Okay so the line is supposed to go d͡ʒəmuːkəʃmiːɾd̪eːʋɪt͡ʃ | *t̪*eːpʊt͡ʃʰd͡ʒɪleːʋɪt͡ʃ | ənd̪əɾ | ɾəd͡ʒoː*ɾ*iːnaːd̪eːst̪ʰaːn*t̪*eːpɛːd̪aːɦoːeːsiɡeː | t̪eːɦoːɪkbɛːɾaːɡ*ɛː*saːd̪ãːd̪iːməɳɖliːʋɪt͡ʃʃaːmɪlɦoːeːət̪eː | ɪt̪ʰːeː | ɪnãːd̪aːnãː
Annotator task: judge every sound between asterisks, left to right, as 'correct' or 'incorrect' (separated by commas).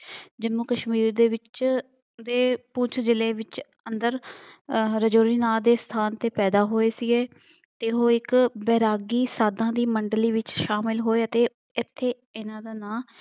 incorrect, correct, correct, incorrect